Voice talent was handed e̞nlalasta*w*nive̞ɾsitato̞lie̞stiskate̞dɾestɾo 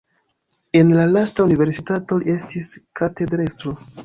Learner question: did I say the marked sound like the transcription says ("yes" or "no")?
no